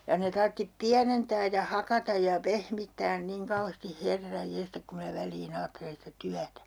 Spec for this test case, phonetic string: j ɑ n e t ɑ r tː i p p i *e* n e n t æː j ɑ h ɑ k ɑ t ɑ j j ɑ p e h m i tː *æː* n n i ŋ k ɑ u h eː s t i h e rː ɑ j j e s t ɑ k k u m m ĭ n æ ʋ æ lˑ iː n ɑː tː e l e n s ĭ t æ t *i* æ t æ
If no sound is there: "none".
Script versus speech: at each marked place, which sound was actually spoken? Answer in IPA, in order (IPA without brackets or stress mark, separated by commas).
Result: æ, æː, y